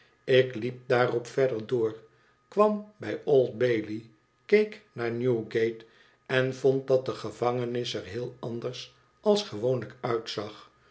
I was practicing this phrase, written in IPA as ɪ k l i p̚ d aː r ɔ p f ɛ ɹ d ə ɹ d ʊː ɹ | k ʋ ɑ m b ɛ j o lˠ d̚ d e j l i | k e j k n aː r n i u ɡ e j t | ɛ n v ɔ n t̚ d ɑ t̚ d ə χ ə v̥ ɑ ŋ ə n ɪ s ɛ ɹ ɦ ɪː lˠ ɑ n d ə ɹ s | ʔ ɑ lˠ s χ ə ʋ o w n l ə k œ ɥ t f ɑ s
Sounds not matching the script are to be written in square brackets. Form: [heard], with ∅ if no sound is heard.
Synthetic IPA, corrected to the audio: ɪ k l i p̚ d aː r ɔ p f ɛ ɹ d ə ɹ d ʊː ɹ | k ʋ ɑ m b ɛ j o lˠ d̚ [b] e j l i | k e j k n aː [ɹ] n [j] u ɡ e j t | ɛ n v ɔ n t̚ d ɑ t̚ d ə χ ə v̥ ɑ ŋ ə n ɪ s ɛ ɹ ɦ ɪː lˠ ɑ n d ə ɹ s | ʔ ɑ lˠ s χ ə ʋ o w n l ə k œ ɥ t [s] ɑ [χ]